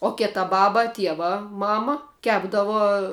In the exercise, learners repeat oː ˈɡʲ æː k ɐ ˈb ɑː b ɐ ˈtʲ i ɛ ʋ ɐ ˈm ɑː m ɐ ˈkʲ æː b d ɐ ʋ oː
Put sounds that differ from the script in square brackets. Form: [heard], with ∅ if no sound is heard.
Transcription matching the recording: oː [ˈkʲ] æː [t] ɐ ˈb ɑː b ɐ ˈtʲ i ɛ ʋ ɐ ˈm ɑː m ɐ ˈkʲ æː b d ɐ ʋ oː